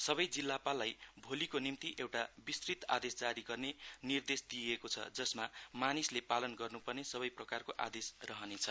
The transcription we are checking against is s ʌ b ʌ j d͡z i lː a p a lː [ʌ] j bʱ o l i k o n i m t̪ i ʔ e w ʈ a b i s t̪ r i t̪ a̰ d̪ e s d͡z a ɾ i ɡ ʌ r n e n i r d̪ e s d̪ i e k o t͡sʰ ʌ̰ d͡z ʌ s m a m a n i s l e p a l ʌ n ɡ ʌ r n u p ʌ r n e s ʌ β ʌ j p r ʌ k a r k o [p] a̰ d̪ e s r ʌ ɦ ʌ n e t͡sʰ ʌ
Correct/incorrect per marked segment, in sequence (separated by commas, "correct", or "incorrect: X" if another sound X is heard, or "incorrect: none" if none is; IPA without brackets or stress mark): incorrect: a, incorrect: ʔ